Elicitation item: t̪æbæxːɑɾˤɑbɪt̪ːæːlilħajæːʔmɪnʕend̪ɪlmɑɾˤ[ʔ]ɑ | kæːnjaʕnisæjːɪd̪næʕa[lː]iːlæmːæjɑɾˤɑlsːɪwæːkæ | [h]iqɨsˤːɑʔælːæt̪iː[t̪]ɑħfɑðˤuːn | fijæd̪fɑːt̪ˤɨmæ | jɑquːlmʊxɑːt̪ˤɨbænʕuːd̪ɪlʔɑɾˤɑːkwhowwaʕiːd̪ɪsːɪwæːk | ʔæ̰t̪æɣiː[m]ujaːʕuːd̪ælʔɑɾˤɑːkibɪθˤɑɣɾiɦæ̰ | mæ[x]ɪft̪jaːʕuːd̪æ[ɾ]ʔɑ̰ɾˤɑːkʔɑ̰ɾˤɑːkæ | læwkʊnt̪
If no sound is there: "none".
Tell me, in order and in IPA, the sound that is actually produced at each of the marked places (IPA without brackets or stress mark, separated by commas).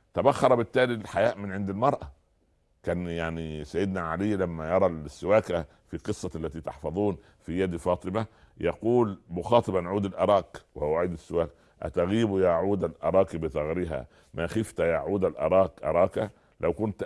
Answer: ʔ, l, f, t̪, b, x, l